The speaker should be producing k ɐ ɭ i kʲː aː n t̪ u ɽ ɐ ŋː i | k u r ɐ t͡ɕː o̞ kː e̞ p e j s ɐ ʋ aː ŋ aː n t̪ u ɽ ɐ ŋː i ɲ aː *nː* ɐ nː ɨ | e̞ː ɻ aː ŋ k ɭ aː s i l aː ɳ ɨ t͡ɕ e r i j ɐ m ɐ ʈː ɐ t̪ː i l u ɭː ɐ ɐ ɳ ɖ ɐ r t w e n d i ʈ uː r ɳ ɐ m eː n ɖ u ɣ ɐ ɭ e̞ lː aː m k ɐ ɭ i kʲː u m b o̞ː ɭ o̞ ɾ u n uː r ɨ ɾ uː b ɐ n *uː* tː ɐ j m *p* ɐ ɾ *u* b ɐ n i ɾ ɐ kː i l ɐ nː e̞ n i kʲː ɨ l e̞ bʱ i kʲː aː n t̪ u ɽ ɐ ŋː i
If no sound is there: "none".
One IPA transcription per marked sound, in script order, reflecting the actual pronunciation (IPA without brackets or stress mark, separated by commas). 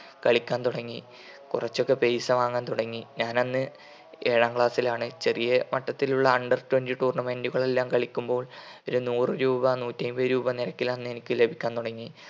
n, uː, b, uː